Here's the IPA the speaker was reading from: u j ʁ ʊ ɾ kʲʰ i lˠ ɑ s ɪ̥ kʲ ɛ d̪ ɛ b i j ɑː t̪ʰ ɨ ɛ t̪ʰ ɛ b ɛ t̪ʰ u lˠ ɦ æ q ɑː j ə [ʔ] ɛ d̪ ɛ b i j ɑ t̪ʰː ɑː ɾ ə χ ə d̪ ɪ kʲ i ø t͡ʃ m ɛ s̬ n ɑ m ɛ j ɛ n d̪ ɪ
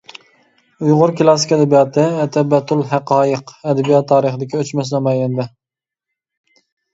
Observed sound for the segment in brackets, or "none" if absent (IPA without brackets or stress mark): q